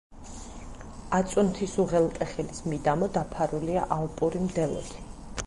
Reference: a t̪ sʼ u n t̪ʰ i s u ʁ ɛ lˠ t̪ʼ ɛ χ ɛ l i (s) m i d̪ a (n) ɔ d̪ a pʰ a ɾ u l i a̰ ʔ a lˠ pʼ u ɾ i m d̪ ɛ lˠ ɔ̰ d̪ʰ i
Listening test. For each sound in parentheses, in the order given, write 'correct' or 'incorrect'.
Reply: correct, incorrect

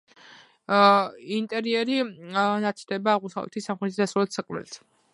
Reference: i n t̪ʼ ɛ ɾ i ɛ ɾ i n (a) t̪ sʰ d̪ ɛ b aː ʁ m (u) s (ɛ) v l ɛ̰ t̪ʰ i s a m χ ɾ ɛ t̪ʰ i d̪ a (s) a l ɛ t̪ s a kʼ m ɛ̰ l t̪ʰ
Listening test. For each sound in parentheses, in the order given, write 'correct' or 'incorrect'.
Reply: correct, correct, incorrect, correct

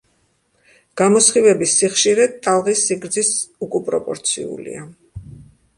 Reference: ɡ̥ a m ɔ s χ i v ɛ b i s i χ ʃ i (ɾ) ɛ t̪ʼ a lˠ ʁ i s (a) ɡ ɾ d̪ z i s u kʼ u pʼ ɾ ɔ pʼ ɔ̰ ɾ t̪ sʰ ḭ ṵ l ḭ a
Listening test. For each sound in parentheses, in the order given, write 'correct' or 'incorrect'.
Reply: correct, incorrect

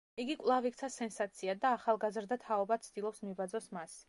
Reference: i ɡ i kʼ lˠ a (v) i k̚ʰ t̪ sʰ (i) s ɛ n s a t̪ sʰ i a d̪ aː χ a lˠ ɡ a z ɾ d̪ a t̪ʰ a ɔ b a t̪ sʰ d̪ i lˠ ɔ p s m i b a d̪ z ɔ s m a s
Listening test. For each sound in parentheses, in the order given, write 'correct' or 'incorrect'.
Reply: correct, incorrect

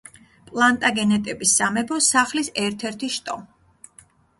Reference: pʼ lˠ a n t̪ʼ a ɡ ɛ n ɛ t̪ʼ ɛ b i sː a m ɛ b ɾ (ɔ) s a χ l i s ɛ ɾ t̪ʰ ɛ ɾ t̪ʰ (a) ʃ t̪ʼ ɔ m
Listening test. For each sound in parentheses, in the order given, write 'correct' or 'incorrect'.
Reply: correct, incorrect

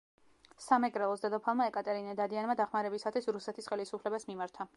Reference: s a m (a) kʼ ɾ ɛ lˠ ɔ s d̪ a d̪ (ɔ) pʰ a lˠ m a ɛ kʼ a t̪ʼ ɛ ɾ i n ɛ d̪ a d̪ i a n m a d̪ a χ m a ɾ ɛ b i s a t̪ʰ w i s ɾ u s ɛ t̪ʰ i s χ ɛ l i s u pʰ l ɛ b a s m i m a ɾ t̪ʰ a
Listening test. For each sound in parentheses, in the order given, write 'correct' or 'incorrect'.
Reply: incorrect, correct

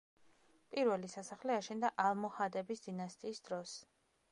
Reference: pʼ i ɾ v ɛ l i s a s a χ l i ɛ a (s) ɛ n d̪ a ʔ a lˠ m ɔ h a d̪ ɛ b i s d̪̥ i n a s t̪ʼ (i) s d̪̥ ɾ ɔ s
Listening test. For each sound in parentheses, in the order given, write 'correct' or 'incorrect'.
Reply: incorrect, incorrect

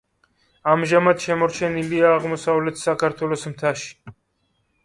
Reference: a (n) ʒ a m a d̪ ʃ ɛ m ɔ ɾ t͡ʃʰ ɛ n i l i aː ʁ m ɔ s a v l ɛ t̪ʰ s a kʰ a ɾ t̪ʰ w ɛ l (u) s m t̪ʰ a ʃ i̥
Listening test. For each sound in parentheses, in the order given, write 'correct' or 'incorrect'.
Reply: incorrect, incorrect

